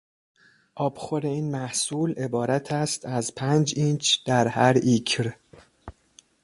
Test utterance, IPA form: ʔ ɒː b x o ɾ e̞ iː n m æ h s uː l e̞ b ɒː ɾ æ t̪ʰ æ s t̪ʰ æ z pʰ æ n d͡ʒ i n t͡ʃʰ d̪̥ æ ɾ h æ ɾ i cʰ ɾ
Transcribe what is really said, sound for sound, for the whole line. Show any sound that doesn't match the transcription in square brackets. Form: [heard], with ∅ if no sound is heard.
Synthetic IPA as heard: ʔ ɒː b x o ɾ e̞ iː n m æ h s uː l e̞ b ɒː ɾ æ t̪ʰ æ s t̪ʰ æ z pʰ æ n d͡ʒ i n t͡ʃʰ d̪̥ æ ɾ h æ ɾ i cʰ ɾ